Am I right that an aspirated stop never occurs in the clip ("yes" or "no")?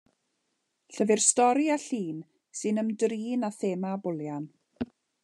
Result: yes